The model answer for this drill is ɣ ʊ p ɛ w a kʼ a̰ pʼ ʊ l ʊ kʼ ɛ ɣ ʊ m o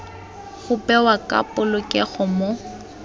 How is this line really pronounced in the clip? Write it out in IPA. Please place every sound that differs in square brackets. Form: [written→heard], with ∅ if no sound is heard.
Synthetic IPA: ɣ ʊ p ɛ w a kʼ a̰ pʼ ʊ l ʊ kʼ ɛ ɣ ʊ m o